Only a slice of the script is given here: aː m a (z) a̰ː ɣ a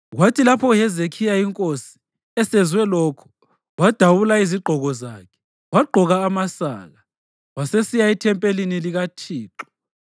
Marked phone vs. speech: incorrect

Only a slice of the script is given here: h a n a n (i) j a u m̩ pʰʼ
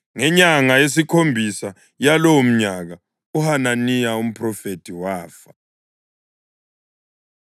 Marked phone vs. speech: correct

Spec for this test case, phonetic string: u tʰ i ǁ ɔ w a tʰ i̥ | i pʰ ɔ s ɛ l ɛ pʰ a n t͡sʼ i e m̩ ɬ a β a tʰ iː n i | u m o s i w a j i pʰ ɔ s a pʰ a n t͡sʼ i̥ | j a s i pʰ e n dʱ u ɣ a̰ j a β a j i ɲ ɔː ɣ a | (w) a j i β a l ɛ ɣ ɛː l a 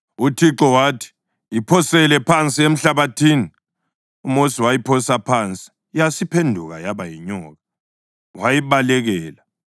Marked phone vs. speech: correct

